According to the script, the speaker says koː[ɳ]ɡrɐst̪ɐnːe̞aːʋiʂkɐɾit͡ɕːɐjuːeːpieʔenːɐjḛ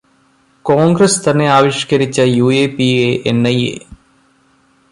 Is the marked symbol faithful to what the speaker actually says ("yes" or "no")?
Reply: no